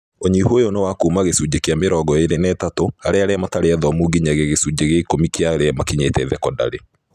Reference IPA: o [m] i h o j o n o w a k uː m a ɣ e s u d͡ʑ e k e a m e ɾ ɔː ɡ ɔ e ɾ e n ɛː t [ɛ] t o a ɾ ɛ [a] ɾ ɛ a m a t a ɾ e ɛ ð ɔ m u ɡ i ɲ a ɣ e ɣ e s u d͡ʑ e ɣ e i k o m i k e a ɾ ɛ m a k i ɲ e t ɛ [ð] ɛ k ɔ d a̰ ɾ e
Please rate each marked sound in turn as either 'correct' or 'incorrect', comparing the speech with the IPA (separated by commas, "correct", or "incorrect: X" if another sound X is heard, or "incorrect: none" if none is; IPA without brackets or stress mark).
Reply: incorrect: ɲ, incorrect: a, correct, correct